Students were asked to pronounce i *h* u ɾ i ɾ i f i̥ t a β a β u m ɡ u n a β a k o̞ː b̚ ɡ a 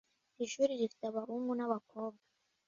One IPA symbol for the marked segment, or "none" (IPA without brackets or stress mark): ʃ